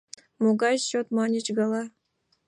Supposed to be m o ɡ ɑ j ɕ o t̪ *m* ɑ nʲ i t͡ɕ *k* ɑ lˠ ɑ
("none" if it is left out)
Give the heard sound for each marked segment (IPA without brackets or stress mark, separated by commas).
m, ɡ